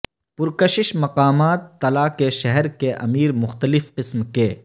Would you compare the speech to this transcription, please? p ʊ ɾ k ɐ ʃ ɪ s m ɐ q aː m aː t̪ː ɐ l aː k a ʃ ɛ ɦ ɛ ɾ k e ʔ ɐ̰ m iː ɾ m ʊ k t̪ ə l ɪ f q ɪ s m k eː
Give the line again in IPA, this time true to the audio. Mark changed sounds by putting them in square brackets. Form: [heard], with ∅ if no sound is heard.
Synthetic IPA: p ʊ ɾ k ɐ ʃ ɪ [ʃ] m ɐ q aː m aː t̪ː ɐ l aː k [e] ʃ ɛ ɦ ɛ ɾ k e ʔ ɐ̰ m iː ɾ m ʊ [x] t̪ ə l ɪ f q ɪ s m k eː